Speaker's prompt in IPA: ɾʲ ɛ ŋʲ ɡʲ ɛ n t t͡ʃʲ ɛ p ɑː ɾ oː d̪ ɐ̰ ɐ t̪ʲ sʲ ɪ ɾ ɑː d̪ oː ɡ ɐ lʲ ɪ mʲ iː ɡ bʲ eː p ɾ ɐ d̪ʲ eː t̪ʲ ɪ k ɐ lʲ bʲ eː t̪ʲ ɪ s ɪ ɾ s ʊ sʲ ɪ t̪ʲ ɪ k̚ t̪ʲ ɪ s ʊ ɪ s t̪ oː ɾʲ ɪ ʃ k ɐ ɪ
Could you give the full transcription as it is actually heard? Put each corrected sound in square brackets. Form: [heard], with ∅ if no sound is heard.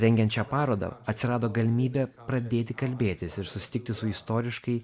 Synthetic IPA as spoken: ɾʲ ɛ ŋʲ ɡʲ ɛ n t t͡ʃʲ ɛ p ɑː ɾ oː d̪ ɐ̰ ɐ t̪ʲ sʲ ɪ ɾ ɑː d̪ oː ɡ ɐ lʲ ɪ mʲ iː [∅] bʲ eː p ɾ ɐ d̪ʲ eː t̪ʲ ɪ k ɐ lʲ bʲ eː t̪ʲ ɪ s ɪ ɾ s ʊ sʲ ɪ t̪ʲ ɪ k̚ t̪ʲ ɪ s ʊ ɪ s t̪ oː ɾʲ ɪ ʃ k ɐ ɪ